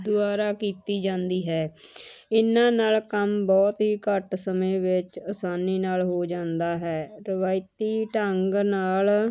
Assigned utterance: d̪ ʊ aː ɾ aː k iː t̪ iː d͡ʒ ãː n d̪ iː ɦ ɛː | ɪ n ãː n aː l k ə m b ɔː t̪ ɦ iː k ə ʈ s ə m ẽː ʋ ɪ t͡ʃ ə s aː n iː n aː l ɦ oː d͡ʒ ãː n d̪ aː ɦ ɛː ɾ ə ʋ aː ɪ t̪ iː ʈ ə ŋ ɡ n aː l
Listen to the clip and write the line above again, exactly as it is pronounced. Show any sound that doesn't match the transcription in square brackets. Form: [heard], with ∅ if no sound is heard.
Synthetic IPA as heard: d̪ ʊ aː ɾ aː k iː t̪ iː d͡ʒ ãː n d̪ iː ɦ ɛː | ɪ n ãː n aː l k ə m b ɔː t̪ ɦ iː k ə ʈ s ə m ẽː ʋ ɪ t͡ʃ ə s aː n iː n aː l ɦ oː d͡ʒ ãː n d̪ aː ɦ ɛː ɾ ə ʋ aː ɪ t̪ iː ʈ ə ŋ ɡ n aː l